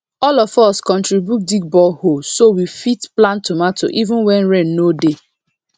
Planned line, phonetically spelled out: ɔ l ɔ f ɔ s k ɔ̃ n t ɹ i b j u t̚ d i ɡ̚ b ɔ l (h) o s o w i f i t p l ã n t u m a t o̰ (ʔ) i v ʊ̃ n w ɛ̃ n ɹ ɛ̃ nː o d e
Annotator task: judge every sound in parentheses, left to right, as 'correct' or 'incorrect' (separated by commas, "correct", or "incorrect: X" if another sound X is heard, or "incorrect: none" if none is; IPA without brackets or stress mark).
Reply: correct, correct